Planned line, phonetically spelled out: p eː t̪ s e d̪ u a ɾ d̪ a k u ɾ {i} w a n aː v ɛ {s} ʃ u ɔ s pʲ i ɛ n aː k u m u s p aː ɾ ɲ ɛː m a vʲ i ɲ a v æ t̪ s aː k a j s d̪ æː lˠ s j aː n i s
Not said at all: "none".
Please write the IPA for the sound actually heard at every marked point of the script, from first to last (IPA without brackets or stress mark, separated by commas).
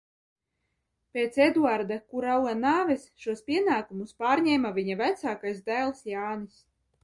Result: a, s